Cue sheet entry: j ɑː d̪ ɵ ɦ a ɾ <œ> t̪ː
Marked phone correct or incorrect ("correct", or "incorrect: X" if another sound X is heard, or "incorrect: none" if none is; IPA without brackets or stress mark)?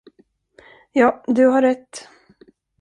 incorrect: ɛ